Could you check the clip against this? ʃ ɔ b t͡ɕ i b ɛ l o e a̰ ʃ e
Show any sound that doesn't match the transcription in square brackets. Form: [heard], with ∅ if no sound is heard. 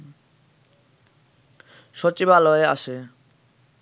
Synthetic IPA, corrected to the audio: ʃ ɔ [∅] t͡ɕ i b [a] l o e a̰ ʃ e